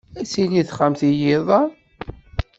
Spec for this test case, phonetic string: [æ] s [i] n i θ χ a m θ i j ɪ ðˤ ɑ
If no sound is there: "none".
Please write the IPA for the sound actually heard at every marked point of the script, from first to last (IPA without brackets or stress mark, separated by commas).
æ, i